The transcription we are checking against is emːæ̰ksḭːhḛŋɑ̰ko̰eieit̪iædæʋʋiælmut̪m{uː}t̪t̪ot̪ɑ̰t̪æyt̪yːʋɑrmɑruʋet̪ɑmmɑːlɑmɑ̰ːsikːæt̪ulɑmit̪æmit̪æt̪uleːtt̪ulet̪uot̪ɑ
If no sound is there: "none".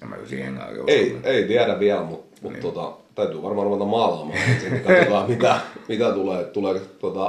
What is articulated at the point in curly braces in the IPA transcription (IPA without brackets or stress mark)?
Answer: u